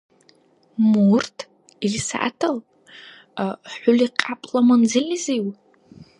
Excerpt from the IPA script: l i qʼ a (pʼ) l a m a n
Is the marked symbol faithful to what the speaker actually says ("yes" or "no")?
yes